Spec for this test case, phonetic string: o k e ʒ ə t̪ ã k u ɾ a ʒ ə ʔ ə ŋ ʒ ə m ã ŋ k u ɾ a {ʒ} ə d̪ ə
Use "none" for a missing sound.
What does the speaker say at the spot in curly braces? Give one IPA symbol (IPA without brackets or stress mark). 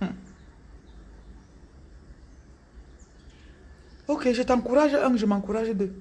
ʒ